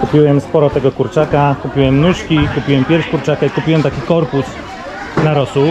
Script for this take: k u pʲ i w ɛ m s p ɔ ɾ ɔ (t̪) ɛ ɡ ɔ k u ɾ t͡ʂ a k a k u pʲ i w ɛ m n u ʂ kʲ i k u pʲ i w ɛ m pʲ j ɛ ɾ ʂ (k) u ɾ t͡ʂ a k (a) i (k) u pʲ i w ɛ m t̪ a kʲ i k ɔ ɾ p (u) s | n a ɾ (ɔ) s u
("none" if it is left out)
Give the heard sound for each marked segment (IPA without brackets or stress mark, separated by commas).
t̪, k, a, k, u, ɔ